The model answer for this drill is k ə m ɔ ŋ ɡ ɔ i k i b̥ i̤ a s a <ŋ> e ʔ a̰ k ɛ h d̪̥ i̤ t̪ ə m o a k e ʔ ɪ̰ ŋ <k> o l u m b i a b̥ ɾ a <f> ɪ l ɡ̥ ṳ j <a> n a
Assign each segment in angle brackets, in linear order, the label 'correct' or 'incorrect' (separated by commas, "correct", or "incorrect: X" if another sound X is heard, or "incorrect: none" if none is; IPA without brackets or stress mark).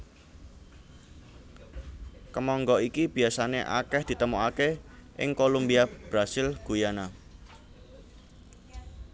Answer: incorrect: n, correct, incorrect: s, correct